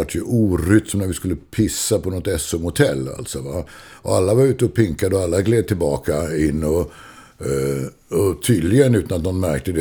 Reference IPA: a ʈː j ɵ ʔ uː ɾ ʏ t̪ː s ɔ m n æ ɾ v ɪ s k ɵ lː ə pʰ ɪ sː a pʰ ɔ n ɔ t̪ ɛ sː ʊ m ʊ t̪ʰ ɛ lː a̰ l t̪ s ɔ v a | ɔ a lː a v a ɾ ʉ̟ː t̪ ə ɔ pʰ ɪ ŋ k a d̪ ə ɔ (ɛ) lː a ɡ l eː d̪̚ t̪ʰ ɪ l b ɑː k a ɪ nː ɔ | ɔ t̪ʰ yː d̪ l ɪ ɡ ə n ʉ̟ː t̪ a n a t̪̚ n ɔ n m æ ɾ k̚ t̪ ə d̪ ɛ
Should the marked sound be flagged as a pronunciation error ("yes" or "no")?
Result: yes